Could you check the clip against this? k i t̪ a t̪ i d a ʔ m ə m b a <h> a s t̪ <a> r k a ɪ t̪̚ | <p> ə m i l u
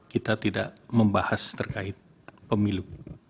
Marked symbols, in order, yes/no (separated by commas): yes, no, yes